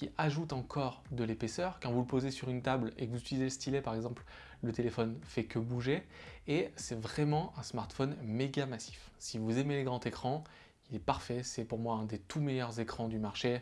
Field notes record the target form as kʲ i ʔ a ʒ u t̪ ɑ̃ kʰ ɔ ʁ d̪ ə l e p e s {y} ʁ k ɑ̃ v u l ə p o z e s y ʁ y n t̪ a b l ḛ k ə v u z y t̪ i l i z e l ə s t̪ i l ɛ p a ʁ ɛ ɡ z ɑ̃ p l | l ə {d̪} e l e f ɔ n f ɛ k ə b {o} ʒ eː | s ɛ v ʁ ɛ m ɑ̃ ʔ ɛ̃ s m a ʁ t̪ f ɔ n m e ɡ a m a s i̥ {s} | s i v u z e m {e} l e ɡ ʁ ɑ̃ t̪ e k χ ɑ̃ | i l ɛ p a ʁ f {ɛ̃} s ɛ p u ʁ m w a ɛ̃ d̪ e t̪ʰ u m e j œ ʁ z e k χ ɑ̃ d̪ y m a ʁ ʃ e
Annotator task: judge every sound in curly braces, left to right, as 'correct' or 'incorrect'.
incorrect: œ, incorrect: t̪, incorrect: u, incorrect: f, correct, incorrect: ɛ

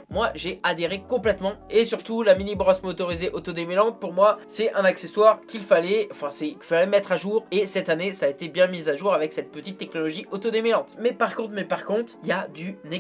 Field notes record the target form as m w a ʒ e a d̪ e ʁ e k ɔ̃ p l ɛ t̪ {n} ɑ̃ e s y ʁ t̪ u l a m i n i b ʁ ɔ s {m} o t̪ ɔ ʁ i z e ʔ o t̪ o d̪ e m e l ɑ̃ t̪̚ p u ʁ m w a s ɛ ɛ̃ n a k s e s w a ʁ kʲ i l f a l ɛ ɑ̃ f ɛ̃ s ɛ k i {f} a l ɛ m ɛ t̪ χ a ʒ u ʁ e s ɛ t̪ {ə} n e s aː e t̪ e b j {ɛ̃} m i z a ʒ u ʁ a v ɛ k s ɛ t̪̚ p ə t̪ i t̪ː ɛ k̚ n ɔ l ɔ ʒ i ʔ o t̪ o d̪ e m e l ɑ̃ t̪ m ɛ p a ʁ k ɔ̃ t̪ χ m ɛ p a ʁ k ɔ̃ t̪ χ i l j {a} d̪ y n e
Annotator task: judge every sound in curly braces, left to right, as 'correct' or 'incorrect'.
incorrect: m, correct, correct, incorrect: a, correct, correct

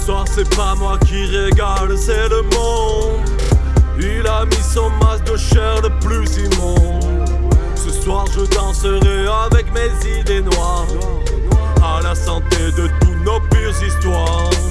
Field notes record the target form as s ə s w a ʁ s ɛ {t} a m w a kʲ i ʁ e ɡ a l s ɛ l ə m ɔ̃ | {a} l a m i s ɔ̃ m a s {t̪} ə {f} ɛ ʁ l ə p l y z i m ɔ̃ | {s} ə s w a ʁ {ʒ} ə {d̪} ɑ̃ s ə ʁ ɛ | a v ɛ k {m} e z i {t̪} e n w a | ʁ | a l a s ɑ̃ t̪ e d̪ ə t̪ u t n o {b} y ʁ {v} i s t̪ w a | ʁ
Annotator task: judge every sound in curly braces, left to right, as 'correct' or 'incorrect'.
incorrect: p, incorrect: i, incorrect: d̪, incorrect: ʃ, correct, correct, correct, correct, incorrect: d̪, incorrect: p, incorrect: z

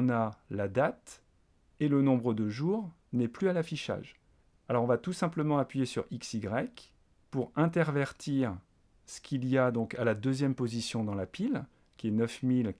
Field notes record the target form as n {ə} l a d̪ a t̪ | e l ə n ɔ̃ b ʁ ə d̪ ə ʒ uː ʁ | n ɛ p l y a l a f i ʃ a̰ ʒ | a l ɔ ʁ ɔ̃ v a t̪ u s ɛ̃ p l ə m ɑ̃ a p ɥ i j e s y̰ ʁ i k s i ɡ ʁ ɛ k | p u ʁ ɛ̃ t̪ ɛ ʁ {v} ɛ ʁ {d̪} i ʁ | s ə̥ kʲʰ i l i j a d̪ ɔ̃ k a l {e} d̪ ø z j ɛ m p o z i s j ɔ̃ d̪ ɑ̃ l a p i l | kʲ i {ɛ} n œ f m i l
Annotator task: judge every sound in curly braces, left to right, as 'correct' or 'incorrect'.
incorrect: a, correct, incorrect: t̪, incorrect: a, correct

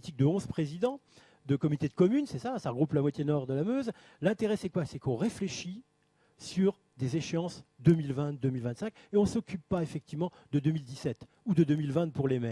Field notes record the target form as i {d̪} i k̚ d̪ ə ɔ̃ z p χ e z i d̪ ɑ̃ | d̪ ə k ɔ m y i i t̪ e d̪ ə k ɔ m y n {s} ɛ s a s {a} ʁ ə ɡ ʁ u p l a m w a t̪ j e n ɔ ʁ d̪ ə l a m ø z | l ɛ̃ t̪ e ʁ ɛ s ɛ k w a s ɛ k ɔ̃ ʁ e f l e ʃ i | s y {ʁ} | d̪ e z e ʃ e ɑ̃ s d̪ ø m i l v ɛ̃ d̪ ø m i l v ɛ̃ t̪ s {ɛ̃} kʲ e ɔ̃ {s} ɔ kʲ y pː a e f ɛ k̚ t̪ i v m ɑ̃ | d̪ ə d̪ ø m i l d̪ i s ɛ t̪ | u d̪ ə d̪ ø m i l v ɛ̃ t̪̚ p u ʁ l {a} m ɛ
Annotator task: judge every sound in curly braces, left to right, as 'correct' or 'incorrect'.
incorrect: t̪, correct, correct, correct, correct, correct, incorrect: e

